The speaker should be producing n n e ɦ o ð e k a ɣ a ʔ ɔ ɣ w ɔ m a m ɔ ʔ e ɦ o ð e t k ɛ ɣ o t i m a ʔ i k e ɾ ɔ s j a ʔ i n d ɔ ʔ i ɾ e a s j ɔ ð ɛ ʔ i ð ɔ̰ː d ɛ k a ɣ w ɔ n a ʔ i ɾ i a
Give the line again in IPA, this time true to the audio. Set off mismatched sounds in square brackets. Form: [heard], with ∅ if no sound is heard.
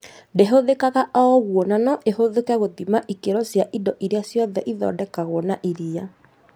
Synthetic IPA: n [d] e ɦ o ð e k a ɣ a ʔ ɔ ɣ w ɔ [n] a [n] ɔ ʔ e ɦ o ð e [∅] k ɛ ɣ o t i m a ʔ i k e ɾ ɔ s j a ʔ i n d ɔ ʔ i ɾ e a s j ɔ ð ɛ ʔ i ð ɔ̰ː d ɛ k a ɣ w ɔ n a ʔ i ɾ i a